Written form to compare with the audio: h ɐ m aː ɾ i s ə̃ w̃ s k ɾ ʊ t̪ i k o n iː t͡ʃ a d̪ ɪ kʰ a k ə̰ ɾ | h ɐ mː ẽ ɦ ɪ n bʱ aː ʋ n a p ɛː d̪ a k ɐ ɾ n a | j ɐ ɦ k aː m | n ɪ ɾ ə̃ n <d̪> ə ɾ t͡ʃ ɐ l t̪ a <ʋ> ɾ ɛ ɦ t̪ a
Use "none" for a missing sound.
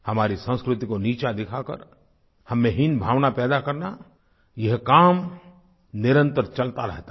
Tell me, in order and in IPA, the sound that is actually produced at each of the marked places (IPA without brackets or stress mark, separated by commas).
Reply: t̪, none